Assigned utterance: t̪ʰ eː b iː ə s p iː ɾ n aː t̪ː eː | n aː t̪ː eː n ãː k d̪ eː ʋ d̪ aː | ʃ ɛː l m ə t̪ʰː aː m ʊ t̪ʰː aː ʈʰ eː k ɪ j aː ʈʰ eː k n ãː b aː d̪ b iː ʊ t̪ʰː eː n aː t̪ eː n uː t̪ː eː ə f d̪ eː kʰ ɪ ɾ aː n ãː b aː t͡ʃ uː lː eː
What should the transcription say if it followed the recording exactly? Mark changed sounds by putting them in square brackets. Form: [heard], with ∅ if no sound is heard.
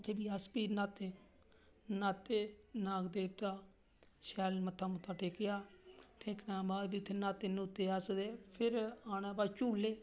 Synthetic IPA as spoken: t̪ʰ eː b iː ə s p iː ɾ n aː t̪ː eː | n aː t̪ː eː n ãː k d̪ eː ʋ [t̪] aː | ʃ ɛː l m ə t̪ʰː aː m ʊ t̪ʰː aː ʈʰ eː k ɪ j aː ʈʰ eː k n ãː b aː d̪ b iː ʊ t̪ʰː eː n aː t̪ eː n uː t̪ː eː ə [s] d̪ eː [pʰ] ɪ ɾ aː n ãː b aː t͡ʃ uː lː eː